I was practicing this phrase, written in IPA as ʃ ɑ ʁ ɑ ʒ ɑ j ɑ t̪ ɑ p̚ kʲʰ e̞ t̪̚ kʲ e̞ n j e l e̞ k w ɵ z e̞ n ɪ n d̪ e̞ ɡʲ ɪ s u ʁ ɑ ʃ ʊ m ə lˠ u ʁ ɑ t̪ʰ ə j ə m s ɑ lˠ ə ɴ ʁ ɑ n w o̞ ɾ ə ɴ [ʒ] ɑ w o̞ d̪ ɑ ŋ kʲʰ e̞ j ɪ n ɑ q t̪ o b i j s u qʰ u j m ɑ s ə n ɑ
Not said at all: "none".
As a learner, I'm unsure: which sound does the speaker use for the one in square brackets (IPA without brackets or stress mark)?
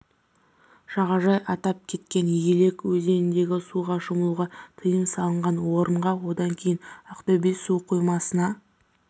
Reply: ʁ